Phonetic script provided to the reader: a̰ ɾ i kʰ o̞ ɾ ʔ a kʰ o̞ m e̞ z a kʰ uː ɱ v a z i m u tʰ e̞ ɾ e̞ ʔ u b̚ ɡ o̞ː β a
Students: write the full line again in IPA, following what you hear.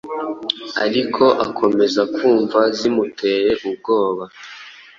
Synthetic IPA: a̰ ɾ i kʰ o̞ ʔ a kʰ o̞ m e̞ z a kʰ uː ɱ v a z i m u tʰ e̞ ɾ e̞ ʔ u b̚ ɡ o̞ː β a

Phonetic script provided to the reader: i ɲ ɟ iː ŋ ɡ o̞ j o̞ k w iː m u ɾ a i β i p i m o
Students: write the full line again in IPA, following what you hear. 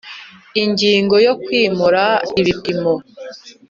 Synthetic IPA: i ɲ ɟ iː ŋ ɡ o̞ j o̞ k w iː m u ɾ a i β i p i m o

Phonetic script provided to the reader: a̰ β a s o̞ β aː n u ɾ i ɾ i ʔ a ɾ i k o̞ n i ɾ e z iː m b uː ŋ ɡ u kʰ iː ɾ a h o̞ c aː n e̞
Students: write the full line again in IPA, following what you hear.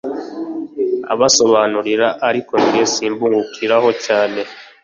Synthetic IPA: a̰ β a s o̞ β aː n u ɾ i ɾ a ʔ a ɾ i k o̞ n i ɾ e s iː m b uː ŋ ɡ u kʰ i ɾ a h o̞ c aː n e̞

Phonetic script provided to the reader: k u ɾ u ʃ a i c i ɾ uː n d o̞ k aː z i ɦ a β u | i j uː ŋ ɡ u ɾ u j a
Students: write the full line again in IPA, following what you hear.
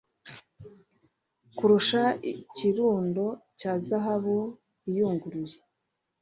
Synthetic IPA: k u ɾ u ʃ a i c i ɾ uː n d o̞ c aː z a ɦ a β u | i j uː ŋ ɡ u ɾ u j e

